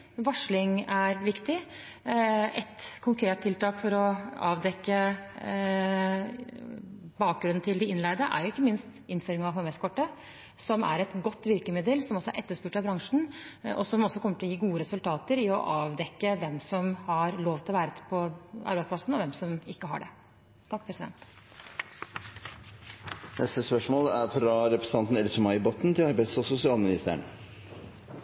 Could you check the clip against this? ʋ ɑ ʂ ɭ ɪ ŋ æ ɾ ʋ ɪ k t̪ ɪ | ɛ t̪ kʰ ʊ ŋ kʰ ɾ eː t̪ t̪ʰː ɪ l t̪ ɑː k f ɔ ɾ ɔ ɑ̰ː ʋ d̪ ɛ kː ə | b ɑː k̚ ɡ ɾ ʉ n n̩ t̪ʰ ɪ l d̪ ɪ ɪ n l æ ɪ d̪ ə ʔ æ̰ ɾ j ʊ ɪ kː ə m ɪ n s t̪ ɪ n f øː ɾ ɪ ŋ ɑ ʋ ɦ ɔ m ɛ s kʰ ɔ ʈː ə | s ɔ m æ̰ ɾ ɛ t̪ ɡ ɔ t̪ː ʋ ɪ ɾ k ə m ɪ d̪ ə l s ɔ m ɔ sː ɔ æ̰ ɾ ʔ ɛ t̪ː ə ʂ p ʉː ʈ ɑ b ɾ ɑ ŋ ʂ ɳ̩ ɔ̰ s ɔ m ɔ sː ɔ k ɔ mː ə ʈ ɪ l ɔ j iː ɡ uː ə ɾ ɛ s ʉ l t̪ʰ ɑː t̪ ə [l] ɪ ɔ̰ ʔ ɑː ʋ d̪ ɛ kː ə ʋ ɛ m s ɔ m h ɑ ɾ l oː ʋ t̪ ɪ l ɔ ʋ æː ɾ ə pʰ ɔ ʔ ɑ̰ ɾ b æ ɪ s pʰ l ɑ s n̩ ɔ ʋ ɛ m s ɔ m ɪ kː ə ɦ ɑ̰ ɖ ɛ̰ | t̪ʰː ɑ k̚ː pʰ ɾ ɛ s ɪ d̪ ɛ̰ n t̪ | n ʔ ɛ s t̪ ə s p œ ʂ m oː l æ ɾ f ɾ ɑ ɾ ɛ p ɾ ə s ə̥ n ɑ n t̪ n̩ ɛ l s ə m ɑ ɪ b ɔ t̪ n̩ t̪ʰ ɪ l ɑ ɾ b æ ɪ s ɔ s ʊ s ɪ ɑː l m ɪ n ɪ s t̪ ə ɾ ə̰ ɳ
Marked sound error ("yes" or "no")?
yes